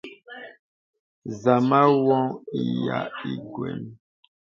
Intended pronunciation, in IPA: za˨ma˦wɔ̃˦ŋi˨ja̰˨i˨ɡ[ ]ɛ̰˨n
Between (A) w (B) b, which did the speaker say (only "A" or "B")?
A